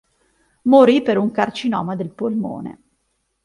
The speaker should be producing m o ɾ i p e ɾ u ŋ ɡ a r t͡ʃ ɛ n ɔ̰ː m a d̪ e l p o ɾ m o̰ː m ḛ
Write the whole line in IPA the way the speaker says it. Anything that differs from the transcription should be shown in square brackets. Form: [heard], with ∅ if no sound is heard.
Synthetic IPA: m o ɾ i p e ɾ u ŋ [k] a r t͡ʃ [i] n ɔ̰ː m a d̪ e l p o [l] m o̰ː [n] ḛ